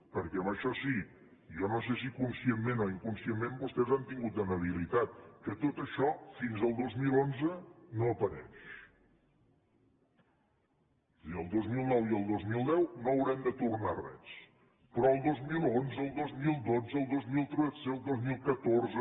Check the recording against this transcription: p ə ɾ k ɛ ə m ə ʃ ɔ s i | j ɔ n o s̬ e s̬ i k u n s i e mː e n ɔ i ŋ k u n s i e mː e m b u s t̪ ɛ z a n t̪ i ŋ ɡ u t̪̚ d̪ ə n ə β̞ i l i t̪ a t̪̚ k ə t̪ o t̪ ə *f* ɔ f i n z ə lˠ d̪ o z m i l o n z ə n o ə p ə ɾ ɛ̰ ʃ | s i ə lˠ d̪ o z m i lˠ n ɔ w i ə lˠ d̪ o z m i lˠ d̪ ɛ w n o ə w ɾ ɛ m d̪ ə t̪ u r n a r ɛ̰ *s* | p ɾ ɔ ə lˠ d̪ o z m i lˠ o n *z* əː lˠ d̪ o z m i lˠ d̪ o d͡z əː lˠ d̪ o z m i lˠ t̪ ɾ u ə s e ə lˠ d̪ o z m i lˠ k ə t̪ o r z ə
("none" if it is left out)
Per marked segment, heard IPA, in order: ʃ, s, z

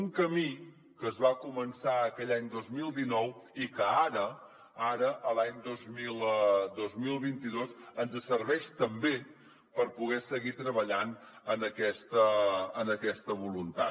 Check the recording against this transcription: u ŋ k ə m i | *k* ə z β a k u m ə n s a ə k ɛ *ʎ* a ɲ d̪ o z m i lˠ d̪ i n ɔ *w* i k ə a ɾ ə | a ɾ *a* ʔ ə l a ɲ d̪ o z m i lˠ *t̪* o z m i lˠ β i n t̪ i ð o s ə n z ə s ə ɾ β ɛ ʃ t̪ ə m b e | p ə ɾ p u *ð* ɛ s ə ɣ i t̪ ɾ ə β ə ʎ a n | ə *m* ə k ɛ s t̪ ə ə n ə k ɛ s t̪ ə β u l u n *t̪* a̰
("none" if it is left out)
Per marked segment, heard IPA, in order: k, ʎ, w, ə, d̪, ɣ, n, t̪

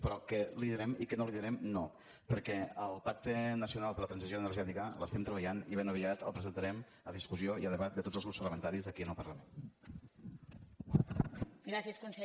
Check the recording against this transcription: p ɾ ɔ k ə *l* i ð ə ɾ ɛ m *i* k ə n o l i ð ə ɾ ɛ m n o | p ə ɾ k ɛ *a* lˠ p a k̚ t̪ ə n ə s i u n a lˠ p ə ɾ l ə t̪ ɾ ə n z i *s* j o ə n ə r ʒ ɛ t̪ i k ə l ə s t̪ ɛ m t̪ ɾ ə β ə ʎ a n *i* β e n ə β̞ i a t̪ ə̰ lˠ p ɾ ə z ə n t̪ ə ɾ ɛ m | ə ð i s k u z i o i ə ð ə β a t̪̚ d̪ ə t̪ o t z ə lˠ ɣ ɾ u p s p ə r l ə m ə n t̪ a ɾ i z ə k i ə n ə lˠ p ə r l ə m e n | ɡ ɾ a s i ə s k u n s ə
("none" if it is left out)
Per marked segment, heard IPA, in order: l, i, ə, z, i

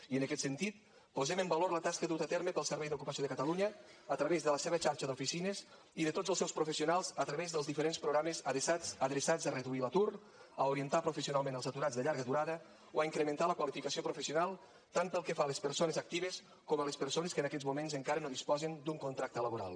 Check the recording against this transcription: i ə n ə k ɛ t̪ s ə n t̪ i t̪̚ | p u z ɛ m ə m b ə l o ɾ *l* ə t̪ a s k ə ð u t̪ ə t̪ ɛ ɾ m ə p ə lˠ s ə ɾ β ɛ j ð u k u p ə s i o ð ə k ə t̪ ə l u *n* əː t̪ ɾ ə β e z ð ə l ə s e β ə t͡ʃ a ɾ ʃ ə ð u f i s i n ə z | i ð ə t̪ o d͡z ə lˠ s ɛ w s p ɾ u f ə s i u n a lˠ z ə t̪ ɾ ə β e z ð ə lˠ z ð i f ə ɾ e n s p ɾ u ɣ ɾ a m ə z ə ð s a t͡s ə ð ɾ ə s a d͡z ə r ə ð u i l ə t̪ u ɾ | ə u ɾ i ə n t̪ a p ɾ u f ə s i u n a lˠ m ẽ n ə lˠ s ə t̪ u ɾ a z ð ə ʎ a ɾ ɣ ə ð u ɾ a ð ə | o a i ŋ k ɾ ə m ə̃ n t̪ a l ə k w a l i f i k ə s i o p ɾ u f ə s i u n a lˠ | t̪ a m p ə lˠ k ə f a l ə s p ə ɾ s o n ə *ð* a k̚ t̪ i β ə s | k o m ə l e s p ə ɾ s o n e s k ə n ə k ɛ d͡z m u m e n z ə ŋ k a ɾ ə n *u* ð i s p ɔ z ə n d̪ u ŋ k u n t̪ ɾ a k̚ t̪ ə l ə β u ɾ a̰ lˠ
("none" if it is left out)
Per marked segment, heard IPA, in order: l, ɲ, z, o

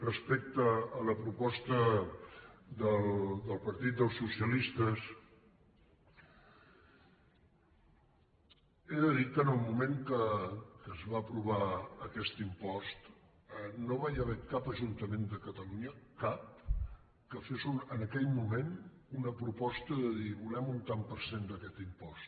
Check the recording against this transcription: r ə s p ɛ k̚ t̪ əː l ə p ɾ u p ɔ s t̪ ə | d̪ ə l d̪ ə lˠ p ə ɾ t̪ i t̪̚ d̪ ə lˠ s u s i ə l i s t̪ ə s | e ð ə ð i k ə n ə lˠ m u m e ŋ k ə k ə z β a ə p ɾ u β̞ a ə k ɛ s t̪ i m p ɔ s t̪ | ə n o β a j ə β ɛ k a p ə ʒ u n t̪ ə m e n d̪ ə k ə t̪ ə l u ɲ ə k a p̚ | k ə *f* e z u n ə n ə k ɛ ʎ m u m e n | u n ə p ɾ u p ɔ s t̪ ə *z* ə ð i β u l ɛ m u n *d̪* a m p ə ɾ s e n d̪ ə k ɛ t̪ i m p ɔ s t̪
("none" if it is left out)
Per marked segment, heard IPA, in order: f, ð, t̪

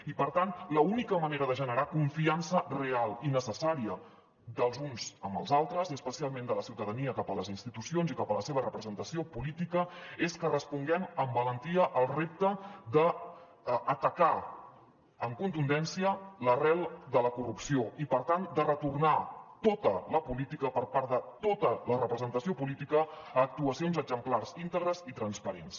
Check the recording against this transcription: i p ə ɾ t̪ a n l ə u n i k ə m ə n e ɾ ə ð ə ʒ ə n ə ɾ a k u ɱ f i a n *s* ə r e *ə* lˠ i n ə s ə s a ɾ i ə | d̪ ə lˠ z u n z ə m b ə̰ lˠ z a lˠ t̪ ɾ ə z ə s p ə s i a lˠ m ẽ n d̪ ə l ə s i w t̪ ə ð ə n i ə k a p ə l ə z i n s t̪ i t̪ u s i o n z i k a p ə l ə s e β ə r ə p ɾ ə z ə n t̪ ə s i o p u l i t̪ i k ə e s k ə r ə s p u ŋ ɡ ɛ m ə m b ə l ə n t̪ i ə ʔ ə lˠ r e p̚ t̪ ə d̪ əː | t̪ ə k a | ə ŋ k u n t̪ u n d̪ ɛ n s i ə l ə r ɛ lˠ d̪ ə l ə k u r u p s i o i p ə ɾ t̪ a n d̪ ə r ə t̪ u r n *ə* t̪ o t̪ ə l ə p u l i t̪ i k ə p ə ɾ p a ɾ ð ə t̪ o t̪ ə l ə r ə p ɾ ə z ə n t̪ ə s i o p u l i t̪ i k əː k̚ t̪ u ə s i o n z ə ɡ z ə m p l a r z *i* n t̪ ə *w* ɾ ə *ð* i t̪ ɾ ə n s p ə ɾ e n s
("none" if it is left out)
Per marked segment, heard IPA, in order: s, a, a, i, ɣ, z

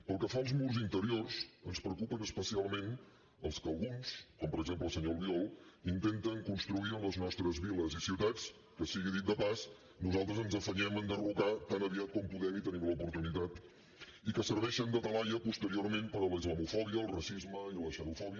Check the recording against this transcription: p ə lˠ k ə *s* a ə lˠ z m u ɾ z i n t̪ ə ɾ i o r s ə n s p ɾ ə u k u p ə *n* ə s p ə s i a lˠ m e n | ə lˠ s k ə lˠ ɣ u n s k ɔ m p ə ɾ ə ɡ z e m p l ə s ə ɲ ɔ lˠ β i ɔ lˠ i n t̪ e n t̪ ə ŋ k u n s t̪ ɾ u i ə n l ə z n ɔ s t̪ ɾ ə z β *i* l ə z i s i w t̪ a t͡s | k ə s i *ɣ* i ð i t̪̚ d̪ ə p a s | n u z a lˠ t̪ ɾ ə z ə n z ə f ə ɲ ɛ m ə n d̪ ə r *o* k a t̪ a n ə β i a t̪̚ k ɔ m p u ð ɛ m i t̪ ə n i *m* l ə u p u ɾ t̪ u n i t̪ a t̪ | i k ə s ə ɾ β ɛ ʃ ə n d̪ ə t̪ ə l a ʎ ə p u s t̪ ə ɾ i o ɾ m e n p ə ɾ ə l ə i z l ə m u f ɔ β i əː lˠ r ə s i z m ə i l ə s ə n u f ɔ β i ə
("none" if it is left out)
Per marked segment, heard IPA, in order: f, n, i, ɣ, u, m

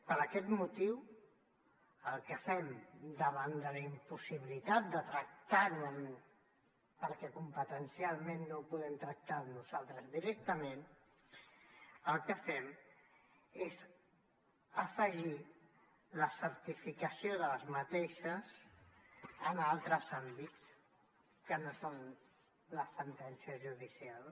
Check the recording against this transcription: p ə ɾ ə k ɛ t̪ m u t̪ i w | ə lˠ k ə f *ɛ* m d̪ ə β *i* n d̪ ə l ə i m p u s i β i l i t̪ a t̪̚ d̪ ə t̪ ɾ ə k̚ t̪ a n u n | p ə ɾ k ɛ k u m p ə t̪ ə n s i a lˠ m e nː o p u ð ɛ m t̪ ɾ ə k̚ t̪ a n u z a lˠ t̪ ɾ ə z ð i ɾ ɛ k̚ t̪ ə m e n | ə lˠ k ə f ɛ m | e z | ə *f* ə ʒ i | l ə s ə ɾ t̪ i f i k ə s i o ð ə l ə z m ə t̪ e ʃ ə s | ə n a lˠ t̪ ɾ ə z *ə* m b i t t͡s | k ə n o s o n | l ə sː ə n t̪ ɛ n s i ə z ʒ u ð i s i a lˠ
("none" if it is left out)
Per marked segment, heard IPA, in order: ɛ, a, f, a

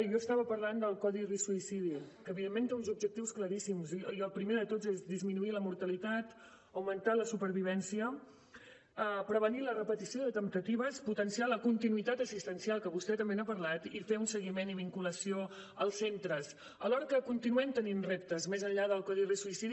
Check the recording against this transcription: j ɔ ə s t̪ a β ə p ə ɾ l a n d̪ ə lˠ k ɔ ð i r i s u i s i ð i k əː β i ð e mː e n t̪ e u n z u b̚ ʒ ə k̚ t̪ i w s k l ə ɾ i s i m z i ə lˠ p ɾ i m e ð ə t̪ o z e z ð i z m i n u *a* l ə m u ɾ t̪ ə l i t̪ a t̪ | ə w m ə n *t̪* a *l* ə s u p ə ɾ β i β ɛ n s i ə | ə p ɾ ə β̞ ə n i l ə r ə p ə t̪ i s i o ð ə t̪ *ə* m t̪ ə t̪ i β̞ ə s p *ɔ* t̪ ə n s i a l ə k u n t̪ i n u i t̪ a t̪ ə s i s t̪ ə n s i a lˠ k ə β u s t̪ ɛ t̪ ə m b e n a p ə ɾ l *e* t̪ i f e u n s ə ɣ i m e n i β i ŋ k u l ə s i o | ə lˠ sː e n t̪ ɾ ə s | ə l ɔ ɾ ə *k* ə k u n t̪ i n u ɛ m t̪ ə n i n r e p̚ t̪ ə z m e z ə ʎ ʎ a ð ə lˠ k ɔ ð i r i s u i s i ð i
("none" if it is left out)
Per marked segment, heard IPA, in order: i, t̪, l, ə, u, a, k

